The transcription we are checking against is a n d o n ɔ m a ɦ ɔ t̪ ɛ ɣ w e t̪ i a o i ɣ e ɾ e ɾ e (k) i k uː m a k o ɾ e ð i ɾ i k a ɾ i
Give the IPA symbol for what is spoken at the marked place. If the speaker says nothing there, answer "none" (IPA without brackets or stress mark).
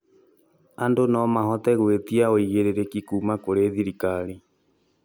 k